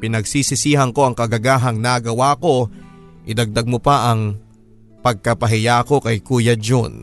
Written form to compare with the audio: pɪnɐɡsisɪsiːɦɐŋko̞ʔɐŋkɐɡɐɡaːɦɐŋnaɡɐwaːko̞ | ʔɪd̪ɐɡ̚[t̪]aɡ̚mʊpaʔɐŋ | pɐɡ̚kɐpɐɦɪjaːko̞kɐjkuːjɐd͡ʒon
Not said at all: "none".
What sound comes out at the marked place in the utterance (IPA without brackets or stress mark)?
d̪